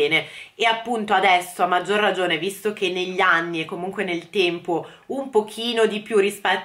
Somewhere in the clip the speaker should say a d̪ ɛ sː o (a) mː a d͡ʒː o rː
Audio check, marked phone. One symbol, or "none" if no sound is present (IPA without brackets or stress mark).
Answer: a